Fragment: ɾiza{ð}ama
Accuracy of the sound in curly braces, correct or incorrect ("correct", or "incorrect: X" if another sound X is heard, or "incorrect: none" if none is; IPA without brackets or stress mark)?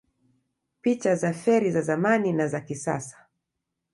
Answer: incorrect: z